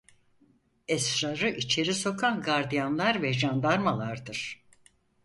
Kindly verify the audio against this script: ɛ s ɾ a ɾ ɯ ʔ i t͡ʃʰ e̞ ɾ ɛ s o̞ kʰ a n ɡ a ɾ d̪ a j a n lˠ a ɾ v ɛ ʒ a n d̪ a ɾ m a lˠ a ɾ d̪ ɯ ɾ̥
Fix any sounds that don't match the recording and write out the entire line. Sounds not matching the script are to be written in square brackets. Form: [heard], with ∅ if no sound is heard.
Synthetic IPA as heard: ɛ s ɾ a ɾ ɯ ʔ i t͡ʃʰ e̞ ɾ [i] s o̞ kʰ a n ɡ a ɾ d̪ [i] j a n lˠ a ɾ v ɛ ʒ a n d̪ a ɾ m a lˠ a ɾ d̪ ɯ ɾ̥